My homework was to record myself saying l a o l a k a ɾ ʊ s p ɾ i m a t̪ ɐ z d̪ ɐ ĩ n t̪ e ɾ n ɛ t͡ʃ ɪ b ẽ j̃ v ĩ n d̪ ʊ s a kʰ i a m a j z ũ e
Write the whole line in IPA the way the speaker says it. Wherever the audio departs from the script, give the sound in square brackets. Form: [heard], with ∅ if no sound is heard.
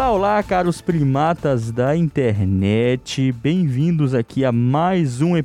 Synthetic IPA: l a o l a k a ɾ ʊ s p ɾ i m a t̪ ɐ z d̪ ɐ ĩ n t̪ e ɾ n ɛ t͡ʃ ɪ b ẽ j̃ v ĩ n d̪ ʊ [z] a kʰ i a m a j z ũ e